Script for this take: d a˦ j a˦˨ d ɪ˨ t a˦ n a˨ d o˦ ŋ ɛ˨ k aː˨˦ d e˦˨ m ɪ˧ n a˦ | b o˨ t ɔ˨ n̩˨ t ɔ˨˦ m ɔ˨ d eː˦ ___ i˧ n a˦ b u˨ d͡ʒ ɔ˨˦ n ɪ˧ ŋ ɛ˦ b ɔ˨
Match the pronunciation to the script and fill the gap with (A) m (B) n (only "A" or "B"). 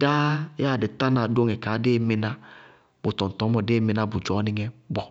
A